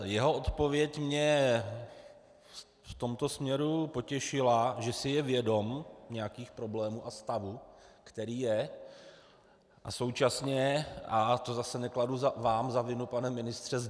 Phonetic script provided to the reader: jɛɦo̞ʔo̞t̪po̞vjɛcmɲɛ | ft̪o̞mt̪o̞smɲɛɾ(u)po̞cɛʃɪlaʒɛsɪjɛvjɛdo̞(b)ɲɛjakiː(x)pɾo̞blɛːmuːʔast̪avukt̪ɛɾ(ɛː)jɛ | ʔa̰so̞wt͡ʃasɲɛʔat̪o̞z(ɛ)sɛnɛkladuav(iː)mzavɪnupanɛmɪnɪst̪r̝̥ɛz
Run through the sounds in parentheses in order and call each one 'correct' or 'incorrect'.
correct, incorrect, correct, incorrect, incorrect, incorrect

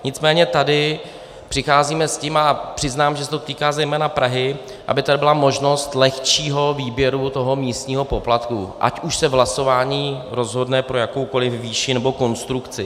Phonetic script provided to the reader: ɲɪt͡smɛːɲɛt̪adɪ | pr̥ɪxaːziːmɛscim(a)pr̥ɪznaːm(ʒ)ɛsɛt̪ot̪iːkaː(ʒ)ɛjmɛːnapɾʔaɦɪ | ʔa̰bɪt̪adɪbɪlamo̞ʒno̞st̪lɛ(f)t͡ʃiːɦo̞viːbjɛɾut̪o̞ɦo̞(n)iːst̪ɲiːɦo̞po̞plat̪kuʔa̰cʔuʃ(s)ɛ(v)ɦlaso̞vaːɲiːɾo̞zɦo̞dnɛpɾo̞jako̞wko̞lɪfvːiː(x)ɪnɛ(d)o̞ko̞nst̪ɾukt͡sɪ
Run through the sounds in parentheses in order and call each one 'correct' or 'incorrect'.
correct, correct, incorrect, incorrect, incorrect, correct, correct, incorrect, incorrect

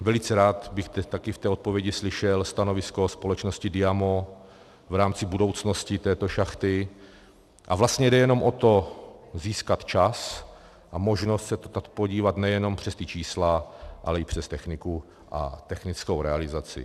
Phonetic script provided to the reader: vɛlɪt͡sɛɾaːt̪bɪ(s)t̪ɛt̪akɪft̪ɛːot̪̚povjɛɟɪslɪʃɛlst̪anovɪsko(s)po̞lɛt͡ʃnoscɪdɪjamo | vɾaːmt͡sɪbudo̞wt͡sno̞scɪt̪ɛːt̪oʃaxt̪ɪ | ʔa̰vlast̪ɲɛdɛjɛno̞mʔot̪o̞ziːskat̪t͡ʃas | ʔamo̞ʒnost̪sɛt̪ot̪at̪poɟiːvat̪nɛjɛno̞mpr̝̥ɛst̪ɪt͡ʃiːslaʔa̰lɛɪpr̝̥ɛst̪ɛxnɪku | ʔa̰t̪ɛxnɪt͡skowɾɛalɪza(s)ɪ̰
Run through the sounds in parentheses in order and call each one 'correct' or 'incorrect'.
incorrect, correct, incorrect

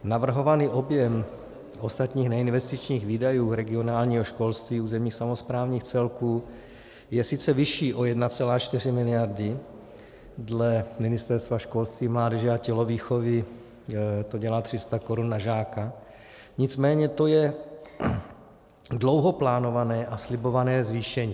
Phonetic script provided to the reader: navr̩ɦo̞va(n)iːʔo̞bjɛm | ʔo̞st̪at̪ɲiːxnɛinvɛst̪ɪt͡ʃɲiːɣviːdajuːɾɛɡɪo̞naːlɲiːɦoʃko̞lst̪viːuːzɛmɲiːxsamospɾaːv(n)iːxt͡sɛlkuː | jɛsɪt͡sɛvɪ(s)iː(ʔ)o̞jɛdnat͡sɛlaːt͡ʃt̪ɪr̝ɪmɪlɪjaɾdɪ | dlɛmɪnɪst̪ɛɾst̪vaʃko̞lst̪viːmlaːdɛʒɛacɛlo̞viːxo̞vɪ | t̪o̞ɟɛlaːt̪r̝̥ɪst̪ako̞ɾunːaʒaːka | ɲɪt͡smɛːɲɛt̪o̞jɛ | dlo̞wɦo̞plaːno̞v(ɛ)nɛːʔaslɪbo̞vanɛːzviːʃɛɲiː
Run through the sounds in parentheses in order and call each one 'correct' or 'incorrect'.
correct, incorrect, incorrect, correct, incorrect

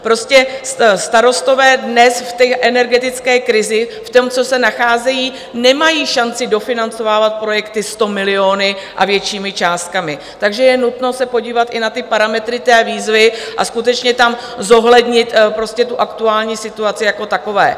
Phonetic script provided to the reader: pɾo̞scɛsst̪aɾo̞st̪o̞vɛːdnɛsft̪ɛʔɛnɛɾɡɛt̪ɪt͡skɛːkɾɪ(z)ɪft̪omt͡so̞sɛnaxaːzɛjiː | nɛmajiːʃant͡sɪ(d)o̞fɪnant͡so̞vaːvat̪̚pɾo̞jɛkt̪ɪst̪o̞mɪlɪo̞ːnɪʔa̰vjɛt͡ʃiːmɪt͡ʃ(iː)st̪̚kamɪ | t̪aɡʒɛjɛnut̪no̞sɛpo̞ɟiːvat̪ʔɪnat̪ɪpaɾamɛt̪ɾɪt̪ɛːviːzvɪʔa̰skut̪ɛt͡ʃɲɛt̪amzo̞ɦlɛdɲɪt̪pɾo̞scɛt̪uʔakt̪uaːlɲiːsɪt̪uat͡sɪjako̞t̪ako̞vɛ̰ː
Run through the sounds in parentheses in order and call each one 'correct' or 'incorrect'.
correct, correct, incorrect

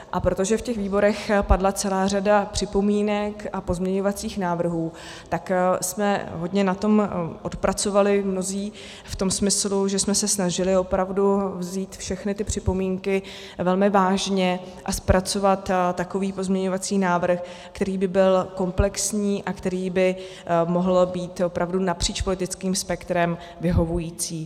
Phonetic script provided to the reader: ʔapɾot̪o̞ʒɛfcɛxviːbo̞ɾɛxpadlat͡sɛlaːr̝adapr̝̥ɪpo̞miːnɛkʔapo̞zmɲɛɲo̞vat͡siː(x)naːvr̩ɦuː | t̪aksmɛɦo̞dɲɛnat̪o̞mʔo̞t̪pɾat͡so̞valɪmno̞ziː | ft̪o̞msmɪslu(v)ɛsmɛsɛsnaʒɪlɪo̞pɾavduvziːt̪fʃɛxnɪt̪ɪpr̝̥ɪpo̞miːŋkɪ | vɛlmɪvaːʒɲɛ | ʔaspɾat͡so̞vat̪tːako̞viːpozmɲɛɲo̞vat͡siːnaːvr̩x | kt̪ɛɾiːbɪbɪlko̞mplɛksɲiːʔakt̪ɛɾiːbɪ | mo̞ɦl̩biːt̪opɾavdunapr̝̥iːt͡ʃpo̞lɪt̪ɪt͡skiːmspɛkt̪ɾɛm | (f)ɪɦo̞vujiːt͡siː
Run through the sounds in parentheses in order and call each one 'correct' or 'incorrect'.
correct, incorrect, incorrect

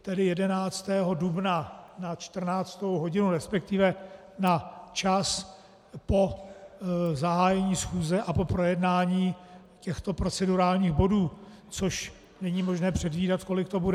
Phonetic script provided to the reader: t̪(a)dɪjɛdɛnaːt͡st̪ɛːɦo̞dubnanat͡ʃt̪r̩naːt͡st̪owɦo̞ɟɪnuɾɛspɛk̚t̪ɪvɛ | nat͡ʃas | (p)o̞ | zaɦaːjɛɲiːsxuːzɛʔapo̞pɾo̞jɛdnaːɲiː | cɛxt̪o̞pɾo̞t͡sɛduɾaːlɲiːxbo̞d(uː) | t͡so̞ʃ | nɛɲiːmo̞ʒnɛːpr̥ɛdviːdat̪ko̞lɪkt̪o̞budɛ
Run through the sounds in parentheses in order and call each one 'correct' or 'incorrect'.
incorrect, correct, correct

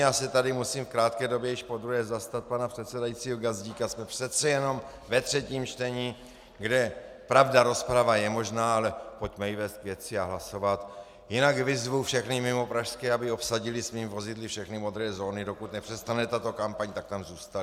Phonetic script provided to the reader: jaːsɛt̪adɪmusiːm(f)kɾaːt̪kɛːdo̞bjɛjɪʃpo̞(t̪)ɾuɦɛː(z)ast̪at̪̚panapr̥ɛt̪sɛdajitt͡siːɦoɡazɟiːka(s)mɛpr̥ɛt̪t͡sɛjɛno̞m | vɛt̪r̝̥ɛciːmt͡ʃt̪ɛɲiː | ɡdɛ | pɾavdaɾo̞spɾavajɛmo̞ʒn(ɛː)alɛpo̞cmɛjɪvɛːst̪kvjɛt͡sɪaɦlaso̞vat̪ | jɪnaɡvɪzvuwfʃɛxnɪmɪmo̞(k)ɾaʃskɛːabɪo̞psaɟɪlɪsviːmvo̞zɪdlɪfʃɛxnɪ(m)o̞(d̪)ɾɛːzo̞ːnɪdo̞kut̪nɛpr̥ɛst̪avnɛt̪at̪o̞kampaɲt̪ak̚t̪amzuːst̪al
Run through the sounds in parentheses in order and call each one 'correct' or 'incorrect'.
correct, incorrect, correct, correct, incorrect, incorrect, correct, correct

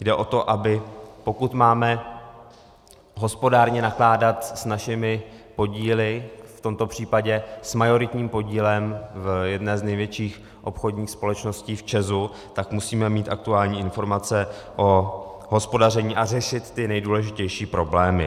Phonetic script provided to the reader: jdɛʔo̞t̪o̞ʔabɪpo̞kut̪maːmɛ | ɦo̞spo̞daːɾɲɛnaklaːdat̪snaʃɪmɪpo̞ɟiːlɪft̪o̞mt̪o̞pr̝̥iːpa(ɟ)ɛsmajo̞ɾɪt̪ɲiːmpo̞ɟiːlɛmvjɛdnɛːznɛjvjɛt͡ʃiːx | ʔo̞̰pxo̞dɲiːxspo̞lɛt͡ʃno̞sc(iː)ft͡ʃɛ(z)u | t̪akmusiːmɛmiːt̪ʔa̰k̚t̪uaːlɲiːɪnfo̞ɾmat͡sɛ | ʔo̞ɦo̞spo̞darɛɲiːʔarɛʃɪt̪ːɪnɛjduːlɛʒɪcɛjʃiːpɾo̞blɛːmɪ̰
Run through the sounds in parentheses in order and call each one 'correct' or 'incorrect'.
correct, correct, correct

